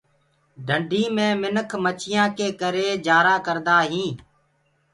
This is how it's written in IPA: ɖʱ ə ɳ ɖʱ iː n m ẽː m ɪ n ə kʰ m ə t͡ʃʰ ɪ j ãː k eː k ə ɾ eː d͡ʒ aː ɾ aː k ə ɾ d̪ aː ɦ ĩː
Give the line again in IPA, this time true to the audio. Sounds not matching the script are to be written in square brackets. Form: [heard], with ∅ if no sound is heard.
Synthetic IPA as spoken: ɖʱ ə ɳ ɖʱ iː [∅] m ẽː m ɪ n ə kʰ m ə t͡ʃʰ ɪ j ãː k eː k ə ɾ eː d͡ʒ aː ɾ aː k ə ɾ d̪ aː ɦ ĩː